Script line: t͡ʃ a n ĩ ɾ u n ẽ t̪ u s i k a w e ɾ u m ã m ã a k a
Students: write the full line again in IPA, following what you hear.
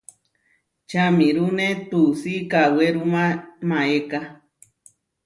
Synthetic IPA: t͡ʃ a m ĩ ɾ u n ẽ t̪ u s i k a w e ɾ u m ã m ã e k a